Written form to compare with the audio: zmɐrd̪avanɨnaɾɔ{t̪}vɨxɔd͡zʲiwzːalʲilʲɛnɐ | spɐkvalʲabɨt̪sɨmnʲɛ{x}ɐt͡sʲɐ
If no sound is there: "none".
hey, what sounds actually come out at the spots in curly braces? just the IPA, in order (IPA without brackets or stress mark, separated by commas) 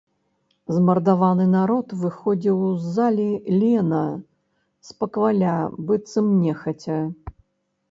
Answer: t̪, x